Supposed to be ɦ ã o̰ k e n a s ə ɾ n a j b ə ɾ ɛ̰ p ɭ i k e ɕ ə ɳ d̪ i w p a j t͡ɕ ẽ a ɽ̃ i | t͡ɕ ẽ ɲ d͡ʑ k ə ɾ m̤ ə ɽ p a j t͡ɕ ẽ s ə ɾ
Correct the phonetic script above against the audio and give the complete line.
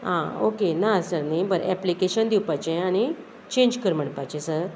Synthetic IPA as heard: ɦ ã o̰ k e n a s ə ɾ n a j b ə ɾ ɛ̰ p l i k e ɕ ə n d̪ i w p a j t͡ɕ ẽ a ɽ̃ i | t͡ɕ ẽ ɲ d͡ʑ k ə ɾ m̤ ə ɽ p a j t͡ɕ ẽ s ə ɾ

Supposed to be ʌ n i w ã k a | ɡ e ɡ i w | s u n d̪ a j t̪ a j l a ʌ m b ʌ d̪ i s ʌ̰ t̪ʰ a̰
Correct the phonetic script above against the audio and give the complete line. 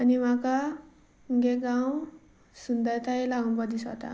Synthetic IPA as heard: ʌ n i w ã k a | ɡ e ɡ a w | s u n d̪ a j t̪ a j l a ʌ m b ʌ d̪ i s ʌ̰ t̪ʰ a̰

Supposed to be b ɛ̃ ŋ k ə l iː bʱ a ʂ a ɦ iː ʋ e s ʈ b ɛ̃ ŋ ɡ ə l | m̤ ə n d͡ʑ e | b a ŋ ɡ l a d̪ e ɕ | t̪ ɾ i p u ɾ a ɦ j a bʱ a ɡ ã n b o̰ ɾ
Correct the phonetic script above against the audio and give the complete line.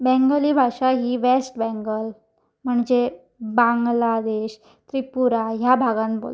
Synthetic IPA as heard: b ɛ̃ ŋ ɡ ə l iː bʱ a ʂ a ɦ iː ʋ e s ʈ b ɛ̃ ŋ ɡ ə l | m̤ ə ɳ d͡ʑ e | b a ŋ ɡ l a d̪ e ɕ | t̪ ɾ i p u ɾ a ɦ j a bʱ a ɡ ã n b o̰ l

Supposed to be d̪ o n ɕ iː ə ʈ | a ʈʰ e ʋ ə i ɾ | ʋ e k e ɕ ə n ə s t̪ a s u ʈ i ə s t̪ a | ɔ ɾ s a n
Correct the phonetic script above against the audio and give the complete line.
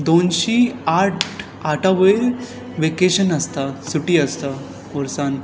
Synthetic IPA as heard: d̪ o n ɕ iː a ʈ | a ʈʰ a ʋ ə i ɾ | ʋ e k e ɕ ə n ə s t̪ a s u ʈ i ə s t̪ a | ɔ ɾ s a n

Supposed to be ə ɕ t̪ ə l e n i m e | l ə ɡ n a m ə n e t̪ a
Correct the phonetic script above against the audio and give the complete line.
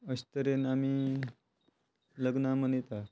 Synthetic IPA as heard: ə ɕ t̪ ə ɾ e n a m i | l ə ɡ n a m ə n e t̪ a

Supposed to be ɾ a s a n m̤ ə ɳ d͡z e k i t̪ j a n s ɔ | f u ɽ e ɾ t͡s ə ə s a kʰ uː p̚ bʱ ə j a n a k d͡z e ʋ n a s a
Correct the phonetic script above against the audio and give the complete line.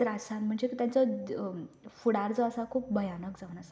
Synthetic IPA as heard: ɾ a s a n m̤ ə ɳ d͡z e k i t̪ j a n t͡s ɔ | f u ɽ a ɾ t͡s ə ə s a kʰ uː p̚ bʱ ə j a n ə k d͡z a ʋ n a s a

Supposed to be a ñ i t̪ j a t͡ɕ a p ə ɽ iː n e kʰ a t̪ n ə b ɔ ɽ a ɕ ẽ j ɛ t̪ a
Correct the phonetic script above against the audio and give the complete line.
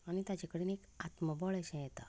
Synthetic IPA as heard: a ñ i t̪ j a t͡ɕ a k ə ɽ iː n e k a t̪ m ə b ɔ ɭ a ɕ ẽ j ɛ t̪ a

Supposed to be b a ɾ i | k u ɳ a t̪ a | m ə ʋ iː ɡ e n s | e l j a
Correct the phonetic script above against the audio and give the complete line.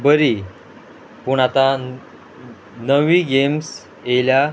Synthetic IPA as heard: b ə ɾ i | p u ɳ a t̪ a | n ə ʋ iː ɡ e m s | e l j a

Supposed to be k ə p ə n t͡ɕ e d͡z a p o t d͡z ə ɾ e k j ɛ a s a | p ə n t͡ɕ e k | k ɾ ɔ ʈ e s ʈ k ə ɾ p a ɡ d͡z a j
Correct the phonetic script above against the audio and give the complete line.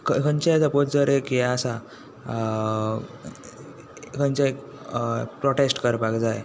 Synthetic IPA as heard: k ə k ə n t͡ɕ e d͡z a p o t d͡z ə ɾ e k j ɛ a s a | k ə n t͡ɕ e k | p ɾ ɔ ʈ e s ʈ k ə ɾ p a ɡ d͡z a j

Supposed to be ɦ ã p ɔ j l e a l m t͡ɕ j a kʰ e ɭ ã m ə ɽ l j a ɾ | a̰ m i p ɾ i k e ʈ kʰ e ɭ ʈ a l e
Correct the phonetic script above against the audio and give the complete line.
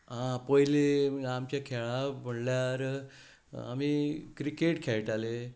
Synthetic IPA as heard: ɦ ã p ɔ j l e a m t͡ɕ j a kʰ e ɭ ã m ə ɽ l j a ɾ | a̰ m i k ɾ i k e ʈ kʰ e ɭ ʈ a l e

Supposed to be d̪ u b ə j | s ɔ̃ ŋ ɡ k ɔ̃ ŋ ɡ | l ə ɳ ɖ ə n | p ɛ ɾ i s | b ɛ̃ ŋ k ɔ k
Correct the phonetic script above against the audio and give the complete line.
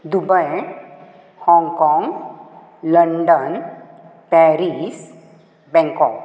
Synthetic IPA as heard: d̪ u b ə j | h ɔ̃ ŋ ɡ k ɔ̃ ŋ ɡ | l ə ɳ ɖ ə n | p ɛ ɾ i s | b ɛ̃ ŋ k ɔ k

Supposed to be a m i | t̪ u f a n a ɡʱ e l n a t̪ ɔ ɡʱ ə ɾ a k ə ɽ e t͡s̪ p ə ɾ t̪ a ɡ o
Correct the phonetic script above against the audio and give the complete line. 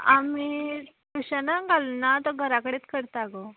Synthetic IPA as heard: a m i | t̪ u ɕ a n a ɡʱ a l n a t̪ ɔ ɡʱ ə ɾ a k ə ɽ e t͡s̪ k ə ɾ t̪ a ɡ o

